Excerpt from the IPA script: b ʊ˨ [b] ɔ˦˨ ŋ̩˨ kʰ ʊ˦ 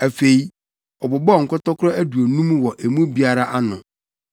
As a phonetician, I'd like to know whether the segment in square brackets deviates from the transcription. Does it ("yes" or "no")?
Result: no